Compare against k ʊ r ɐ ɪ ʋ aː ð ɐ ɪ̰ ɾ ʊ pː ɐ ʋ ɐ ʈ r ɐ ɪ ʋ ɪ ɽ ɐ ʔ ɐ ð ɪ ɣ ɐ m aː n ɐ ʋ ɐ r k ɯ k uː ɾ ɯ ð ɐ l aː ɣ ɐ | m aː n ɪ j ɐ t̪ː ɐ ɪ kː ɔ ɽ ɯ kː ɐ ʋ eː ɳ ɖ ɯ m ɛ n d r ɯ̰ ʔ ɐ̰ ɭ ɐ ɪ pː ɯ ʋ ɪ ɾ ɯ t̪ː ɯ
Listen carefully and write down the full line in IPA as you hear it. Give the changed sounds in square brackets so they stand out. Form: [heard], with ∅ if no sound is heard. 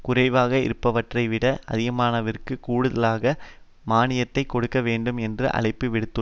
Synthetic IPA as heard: k ʊ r ɐ ɪ ʋ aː [ɣ] ɐ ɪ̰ ɾ [ɯ] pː ɐ ʋ ɐ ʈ r ɐ ɪ ʋ ɪ ɽ ɐ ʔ ɐ ð ɪ ɣ ɐ m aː n ɐ ʋ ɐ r k ɯ k uː [ɽ] ɯ ð ɐ l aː ɣ ɐ | m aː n ɪ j ɐ t̪ː ɐ ɪ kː ɔ ɽ ɯ kː ɐ ʋ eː ɳ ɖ ɯ m ɛ n d r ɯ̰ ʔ ɐ̰ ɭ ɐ ɪ pː ɯ ʋ ɪ [ɽ] ɯ t̪ː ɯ